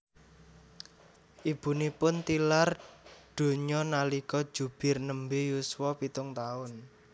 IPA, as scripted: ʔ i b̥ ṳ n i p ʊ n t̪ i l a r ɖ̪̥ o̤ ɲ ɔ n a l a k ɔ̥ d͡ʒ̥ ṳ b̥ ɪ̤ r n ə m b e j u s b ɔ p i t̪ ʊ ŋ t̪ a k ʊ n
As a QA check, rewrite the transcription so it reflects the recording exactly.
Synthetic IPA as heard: ʔ i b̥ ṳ n i p ʊ n t̪ i l a r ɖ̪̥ o̤ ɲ ɔ n a l i k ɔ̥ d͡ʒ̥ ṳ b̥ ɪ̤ r n ə m b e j u s w ɔ p i t̪ ʊ ŋ t̪ a ʊ n

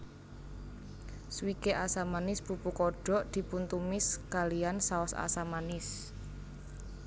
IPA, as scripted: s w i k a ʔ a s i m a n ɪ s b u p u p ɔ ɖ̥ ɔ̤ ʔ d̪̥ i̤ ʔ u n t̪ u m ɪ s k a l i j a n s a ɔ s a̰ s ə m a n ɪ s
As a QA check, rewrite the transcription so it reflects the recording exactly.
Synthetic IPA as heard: s w i k e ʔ a s a m a n ɪ s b u p u k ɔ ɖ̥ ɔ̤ ʔ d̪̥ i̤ p u n t̪ u m ɪ s k a l i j a n s a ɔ s a̰ s a m a n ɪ s

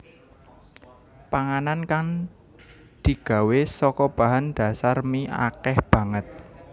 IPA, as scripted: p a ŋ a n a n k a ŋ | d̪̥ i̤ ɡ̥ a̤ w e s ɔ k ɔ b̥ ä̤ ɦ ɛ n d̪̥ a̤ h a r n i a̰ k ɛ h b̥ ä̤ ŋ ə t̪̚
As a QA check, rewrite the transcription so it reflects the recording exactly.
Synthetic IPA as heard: p a ŋ a n a n k a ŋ | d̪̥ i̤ ɡ̥ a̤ w e s ɔ k ɔ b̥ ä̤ ɦ a n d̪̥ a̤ s a r m i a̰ k ɛ h b̥ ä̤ ŋ ə t̪̚

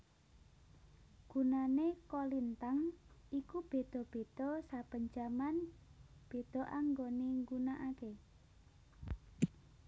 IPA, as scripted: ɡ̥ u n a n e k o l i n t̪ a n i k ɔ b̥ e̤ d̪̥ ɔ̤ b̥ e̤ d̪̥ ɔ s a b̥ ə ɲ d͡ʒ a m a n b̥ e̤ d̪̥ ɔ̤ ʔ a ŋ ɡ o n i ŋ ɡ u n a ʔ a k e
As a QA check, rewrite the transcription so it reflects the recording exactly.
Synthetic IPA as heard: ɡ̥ u n a n e k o l i n t̪ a ŋ i k u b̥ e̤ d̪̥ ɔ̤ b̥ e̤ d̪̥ ɔ s a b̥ ə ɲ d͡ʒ a m a n b̥ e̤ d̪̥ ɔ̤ ʔ a ŋ ɡ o n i ŋ ɡ u n a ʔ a k e

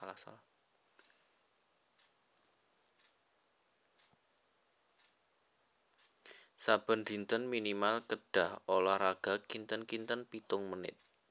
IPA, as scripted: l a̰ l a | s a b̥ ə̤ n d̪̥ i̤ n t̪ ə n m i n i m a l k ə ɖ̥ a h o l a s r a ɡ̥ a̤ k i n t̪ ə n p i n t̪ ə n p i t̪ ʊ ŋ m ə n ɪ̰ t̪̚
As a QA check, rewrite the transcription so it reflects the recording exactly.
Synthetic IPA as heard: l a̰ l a | s a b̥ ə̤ n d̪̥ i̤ n t̪ ə n m i n i m a l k ə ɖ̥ a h o l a h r a ɡ̥ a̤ k i n t̪ ə n k i n t̪ ə n p i t̪ ʊ ŋ m ə n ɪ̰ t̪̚

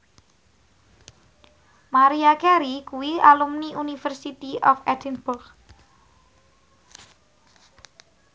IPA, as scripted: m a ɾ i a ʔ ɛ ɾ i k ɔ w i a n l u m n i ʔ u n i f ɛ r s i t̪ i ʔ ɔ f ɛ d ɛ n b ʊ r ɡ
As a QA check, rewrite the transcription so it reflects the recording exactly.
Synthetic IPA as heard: m a ɾ i a k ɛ ɾ i k u w i a l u m n i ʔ u n i f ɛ r s i t̪ i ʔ ɔ f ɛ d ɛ n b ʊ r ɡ

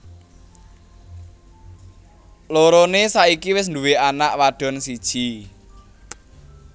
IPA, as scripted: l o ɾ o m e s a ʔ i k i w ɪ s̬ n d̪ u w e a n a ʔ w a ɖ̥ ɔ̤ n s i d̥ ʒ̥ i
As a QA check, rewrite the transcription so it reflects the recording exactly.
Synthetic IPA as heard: l o ɾ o n e s a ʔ i k i w ɪ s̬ n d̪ u w e a n a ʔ w a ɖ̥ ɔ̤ n s i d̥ ʒ̥ i

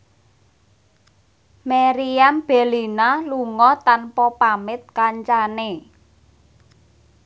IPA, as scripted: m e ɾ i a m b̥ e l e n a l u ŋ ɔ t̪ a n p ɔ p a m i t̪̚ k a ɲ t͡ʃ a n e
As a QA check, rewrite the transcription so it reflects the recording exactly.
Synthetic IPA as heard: m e ɾ i a m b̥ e l i n a l u ŋ ɔ t̪ a n p ɔ p a m ɪ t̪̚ k a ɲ t͡ʃ a n e

